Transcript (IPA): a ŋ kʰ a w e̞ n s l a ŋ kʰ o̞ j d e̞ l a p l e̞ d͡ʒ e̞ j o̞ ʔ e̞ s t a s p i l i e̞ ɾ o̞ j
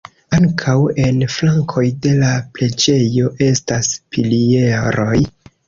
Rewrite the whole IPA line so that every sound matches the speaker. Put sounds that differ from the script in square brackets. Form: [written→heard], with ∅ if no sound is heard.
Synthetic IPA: a ŋ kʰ a w e̞ n [s→f] l a ŋ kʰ o̞ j d e̞ l a p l e̞ d͡ʒ e̞ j o̞ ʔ e̞ s t a s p i l i e̞ ɾ o̞ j